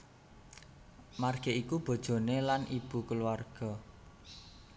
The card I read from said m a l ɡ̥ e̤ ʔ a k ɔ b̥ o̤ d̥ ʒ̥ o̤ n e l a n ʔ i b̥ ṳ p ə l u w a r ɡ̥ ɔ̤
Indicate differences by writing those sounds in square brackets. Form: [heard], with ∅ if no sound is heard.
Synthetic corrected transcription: m a [r] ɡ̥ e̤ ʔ [i] k [u] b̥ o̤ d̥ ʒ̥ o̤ n e l a n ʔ i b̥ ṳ [k] ə l u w a r ɡ̥ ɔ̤